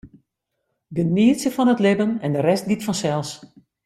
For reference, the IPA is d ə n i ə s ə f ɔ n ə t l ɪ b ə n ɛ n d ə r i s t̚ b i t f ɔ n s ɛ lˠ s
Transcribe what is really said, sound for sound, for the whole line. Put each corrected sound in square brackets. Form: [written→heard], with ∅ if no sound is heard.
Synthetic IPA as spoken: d ə n i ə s ə f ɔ n ə t l ɪ b ə n ɛ n d ə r [i→ɛ] s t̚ [b→ɡ] i t f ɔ n s ɛ lˠ s